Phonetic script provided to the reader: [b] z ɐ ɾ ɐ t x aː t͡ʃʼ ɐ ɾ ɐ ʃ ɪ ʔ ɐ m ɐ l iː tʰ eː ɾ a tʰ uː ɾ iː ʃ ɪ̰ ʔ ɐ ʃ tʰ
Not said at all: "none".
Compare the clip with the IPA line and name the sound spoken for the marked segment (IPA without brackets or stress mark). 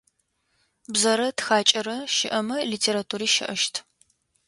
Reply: b